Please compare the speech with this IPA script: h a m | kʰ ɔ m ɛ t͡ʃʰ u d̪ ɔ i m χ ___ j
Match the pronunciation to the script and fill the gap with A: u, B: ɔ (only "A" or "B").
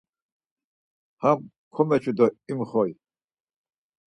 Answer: B